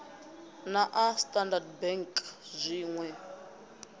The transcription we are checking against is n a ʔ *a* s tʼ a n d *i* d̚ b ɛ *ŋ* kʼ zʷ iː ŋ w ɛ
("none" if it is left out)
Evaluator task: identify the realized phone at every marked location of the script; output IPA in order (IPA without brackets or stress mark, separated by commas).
a, a, ŋ